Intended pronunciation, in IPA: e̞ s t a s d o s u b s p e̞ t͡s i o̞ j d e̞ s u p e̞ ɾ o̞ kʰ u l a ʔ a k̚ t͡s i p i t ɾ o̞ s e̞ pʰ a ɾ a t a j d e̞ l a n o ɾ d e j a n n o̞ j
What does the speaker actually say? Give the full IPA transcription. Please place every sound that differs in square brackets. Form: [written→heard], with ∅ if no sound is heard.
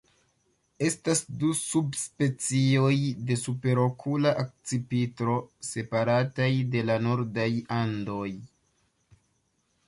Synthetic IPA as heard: e̞ s t a s d [o→u] s u b s p e̞ t͡s i o̞ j d e̞ s u p e̞ ɾ o̞ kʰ u l a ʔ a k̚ t͡s i p i t ɾ o̞ s e̞ [pʰ→p] a ɾ a t a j d e̞ l a n o ɾ d [e→a] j a n [n→d] o̞ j